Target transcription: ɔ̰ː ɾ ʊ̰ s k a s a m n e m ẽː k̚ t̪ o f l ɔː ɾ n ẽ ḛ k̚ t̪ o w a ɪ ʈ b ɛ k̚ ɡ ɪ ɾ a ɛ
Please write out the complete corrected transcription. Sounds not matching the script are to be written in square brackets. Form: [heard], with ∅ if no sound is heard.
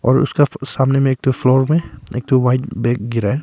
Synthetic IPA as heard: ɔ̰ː ɾ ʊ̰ s k a s a m n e m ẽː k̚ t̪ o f l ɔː ɾ [m] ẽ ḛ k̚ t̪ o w a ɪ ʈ b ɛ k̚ ɡ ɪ ɾ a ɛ